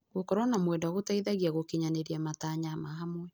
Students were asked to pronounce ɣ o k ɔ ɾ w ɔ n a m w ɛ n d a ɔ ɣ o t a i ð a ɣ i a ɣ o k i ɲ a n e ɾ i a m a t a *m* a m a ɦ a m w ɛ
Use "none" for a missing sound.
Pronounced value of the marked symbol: ɲ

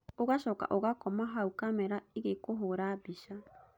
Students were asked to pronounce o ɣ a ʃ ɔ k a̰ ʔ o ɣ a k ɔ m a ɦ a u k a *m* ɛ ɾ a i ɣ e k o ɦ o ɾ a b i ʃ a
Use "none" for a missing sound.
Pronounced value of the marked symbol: m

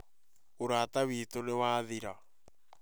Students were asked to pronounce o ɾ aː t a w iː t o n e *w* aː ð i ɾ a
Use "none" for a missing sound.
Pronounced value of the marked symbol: w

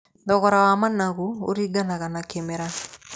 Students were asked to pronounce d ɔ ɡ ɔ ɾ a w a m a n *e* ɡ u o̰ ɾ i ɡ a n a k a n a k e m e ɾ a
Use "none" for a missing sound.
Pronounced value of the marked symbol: a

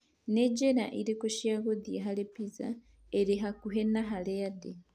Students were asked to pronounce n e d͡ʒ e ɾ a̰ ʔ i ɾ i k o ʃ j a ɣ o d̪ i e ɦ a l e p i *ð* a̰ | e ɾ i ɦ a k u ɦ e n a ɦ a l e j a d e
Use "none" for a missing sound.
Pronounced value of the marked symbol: z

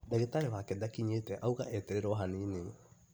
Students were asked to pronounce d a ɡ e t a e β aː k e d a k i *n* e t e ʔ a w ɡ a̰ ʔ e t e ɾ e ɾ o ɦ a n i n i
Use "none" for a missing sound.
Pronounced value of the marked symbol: ɲ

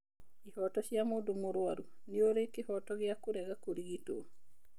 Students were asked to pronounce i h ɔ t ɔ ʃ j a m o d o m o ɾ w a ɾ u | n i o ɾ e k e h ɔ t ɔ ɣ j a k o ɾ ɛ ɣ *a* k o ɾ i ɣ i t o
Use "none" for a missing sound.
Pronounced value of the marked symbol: a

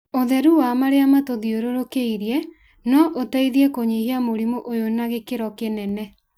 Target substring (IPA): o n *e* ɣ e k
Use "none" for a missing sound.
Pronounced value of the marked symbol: a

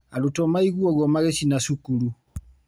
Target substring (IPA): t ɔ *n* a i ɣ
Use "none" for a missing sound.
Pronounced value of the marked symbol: m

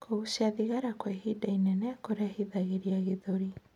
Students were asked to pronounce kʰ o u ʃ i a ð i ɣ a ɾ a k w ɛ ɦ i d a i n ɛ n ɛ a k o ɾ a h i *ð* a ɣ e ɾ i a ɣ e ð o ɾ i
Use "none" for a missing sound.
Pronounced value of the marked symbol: ð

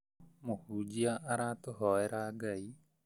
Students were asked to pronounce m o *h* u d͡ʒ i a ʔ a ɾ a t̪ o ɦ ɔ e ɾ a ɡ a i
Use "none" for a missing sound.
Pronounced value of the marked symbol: h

